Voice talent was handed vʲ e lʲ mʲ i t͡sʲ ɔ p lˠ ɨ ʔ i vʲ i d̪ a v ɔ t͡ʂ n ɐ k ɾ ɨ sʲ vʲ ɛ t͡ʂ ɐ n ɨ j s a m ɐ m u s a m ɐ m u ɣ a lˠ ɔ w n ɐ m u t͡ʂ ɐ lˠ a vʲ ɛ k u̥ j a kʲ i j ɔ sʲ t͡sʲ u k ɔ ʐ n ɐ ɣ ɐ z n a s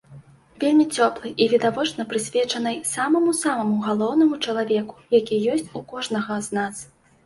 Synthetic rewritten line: vʲ e lʲ mʲ i t͡sʲ ɔ p lˠ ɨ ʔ i vʲ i d̪ a v ɔ t͡ʂ n ɐ p ɾ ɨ sʲ vʲ ɛ t͡ʂ ɐ n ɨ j s a m ɐ m u s a m ɐ m u ɣ a lˠ ɔ w n ɐ m u t͡ʂ ɐ lˠ a vʲ ɛ k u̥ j a kʲ i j ɔ sʲ t͡sʲ u k ɔ ʐ n ɐ ɣ ɐ z n a s